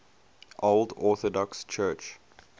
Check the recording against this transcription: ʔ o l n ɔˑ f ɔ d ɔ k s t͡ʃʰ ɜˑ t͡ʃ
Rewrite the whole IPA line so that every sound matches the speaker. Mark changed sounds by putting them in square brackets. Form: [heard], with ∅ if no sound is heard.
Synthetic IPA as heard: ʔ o l [d] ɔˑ [θ] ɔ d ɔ k s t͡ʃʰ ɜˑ t͡ʃ